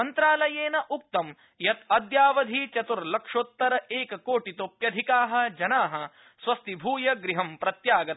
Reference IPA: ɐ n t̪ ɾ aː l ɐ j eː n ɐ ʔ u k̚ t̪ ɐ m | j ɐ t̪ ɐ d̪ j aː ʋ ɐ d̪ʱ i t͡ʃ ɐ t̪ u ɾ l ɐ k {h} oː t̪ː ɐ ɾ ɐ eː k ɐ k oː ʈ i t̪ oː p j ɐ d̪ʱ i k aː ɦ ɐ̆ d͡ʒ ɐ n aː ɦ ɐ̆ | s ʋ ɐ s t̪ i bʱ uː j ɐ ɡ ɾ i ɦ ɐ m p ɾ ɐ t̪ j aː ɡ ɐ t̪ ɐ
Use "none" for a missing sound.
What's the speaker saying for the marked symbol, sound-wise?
ʂ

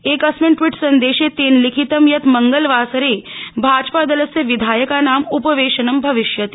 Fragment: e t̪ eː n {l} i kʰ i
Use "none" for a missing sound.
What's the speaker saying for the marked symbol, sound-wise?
l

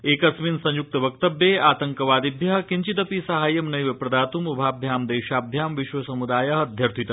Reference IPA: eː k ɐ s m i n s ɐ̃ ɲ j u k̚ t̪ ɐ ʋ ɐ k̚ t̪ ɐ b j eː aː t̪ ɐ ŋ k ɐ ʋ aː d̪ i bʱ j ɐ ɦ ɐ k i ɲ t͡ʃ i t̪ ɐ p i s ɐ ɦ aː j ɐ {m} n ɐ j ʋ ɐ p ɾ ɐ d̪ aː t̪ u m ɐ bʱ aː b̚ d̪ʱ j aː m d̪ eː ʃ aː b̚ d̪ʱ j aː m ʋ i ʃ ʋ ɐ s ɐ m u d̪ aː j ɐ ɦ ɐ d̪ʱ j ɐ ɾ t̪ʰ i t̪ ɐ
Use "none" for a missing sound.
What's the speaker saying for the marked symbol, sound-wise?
m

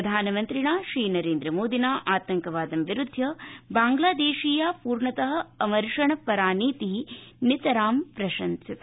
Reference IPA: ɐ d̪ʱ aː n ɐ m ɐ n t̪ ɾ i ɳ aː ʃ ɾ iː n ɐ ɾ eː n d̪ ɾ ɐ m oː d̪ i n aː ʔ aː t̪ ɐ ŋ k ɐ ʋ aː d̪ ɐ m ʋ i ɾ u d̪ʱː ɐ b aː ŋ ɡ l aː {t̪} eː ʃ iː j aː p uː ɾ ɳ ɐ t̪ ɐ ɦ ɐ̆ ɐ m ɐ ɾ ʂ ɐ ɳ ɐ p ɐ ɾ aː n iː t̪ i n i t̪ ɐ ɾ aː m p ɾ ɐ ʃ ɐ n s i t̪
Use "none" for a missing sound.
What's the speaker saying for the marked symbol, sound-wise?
d̪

